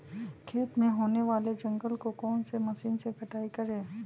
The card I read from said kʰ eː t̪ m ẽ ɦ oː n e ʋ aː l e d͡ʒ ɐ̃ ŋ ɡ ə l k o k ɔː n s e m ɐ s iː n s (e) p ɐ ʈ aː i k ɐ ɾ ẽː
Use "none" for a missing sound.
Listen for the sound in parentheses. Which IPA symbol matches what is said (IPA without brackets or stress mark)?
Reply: e